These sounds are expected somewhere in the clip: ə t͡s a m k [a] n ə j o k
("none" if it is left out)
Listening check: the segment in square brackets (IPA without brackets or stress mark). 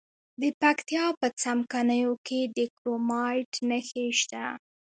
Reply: a